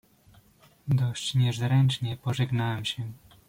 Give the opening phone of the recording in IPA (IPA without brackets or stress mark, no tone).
d̪